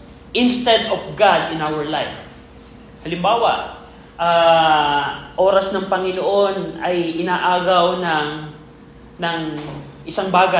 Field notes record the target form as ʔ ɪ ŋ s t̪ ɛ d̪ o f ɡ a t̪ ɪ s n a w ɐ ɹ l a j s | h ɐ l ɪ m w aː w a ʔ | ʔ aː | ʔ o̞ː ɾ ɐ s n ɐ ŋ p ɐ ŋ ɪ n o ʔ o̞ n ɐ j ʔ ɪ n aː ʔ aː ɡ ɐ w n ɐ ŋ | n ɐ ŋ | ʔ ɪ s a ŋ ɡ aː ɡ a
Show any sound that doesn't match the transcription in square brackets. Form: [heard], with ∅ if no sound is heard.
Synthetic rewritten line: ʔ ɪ [n] s t̪ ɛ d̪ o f ɡ a [d̪] ɪ [∅] n a w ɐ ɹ l a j [f] | h ɐ l ɪ m [b] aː w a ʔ | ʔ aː | ʔ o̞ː ɾ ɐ s n ɐ ŋ p ɐ ŋ ɪ n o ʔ o̞ n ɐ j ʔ ɪ n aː ʔ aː ɡ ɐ w n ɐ ŋ | n ɐ ŋ | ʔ ɪ s a ŋ [b] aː ɡ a